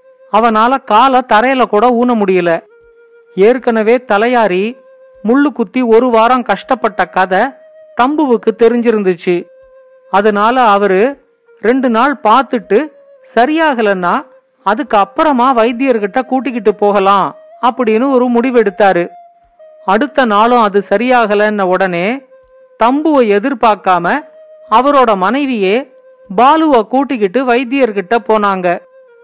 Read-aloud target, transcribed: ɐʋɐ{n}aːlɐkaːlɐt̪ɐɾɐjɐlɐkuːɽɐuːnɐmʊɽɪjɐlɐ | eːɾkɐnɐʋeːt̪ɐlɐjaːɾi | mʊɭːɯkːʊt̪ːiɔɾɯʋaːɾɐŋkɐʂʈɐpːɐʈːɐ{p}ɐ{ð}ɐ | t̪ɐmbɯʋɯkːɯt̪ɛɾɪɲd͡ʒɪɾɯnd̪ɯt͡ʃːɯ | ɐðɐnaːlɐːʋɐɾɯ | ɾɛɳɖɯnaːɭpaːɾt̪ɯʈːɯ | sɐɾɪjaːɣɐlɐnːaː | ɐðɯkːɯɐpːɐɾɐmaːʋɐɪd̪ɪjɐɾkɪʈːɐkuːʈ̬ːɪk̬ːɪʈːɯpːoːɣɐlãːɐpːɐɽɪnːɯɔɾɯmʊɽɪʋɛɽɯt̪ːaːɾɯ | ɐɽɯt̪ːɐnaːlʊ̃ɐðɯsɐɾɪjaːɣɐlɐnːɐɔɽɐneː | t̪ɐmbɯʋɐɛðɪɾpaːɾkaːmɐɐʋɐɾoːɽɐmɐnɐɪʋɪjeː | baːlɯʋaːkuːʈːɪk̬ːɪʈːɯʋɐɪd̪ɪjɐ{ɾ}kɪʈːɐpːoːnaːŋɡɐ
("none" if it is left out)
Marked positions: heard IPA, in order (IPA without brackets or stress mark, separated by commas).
n, k, ð, ɾ